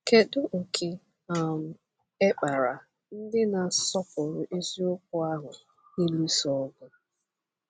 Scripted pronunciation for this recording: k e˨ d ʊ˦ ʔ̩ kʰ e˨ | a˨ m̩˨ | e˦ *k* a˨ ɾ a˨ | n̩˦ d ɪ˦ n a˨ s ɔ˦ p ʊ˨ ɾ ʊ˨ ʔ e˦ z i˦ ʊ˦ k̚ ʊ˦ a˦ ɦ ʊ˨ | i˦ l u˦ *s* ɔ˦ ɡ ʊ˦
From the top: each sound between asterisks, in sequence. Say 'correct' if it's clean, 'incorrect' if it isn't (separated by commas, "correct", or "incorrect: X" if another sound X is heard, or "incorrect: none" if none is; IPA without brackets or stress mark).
incorrect: k͡p, correct